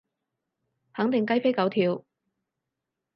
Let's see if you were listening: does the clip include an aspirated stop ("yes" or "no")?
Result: yes